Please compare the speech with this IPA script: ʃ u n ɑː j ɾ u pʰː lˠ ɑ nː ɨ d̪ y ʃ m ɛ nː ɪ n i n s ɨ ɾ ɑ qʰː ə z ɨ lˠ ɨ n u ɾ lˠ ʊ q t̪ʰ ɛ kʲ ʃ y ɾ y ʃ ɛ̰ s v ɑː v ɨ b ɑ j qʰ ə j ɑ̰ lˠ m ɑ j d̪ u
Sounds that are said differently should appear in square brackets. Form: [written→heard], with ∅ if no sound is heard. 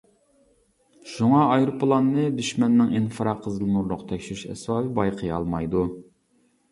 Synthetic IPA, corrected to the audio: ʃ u [n→ŋ] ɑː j ɾ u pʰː lˠ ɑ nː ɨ d̪ y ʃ m ɛ nː ɪ [n→ŋ] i n [s→f] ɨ ɾ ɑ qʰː ə z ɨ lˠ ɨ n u ɾ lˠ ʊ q t̪ʰ ɛ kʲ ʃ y ɾ y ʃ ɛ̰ s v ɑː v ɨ b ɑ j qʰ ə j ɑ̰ lˠ m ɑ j d̪ u